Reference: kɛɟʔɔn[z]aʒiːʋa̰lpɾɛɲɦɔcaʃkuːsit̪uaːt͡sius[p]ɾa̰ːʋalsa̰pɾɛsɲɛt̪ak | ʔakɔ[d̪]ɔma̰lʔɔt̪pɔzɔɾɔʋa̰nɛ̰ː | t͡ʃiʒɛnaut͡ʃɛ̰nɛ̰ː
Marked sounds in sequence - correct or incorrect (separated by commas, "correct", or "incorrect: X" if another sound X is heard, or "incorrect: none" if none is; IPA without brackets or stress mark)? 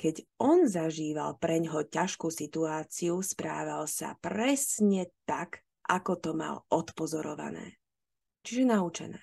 correct, correct, incorrect: t̪